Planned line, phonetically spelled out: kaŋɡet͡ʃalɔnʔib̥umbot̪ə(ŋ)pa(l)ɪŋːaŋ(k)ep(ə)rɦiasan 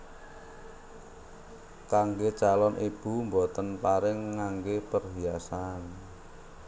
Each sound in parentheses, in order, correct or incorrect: incorrect, incorrect, incorrect, correct

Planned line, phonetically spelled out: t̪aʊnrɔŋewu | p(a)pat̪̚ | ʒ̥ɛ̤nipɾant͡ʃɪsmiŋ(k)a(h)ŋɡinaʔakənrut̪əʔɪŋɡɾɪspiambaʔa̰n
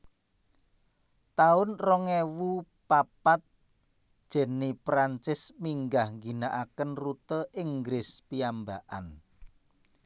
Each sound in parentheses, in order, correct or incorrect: correct, incorrect, correct

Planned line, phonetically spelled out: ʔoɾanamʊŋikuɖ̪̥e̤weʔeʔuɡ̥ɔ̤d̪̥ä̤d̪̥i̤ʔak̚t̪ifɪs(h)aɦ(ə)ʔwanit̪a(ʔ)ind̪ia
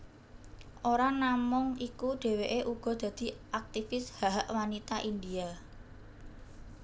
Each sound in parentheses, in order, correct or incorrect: correct, incorrect, correct

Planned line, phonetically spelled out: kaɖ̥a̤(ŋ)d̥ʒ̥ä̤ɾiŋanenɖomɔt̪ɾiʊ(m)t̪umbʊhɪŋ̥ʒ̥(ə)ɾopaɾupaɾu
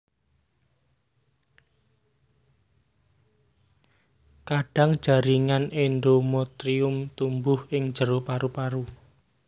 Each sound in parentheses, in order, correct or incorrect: correct, correct, correct

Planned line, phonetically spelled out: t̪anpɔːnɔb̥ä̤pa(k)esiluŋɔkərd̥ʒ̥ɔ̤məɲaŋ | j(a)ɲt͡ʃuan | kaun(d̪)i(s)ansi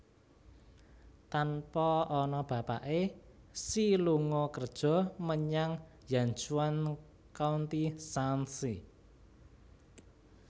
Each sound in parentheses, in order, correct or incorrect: incorrect, correct, incorrect, correct

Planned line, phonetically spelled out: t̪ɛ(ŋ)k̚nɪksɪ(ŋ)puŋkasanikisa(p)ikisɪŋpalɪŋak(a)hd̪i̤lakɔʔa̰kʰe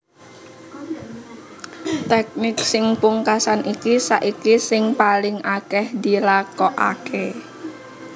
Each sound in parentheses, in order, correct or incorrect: incorrect, correct, incorrect, incorrect

